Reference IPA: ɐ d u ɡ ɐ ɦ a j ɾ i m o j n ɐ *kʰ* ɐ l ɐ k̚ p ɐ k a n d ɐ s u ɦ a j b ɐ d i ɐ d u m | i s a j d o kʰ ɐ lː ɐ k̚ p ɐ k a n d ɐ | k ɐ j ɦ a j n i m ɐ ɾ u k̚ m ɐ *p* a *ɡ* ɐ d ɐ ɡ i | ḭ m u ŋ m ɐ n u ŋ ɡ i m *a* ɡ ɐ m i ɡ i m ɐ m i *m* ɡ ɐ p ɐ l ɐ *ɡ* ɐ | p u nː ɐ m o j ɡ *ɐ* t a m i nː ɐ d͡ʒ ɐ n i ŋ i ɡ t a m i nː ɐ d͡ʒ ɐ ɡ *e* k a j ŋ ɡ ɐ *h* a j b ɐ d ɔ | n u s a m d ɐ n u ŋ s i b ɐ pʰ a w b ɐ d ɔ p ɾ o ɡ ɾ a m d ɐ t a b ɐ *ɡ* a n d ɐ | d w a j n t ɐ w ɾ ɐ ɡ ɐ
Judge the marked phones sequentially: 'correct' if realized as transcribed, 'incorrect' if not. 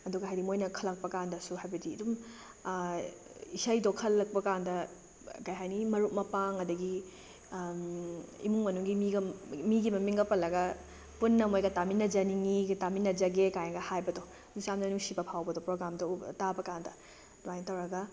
correct, correct, incorrect: ŋ, incorrect: i, incorrect: ŋ, correct, correct, correct, correct, incorrect: k

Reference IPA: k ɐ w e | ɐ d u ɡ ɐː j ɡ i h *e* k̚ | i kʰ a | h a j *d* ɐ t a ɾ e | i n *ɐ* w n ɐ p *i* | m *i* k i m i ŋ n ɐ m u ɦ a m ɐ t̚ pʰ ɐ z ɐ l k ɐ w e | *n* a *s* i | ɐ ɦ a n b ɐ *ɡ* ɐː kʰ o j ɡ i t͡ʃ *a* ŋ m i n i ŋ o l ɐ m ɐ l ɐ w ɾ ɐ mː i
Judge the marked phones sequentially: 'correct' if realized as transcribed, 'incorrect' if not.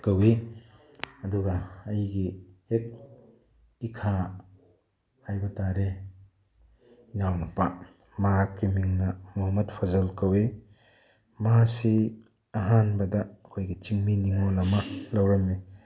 correct, incorrect: b, incorrect: a, incorrect: a, incorrect: a, incorrect: m, correct, incorrect: d, incorrect: i

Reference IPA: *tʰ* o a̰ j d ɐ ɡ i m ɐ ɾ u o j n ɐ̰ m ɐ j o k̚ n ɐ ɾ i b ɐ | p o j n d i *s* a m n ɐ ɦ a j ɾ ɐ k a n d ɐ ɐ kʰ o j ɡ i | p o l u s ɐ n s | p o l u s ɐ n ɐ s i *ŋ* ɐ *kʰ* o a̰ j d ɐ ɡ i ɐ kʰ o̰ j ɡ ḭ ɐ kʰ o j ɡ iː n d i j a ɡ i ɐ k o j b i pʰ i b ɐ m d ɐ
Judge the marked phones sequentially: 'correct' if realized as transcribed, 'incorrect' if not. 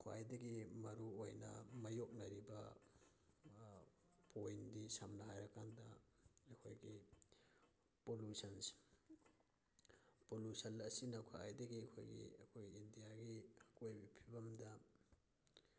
incorrect: kʰ, correct, incorrect: n, correct

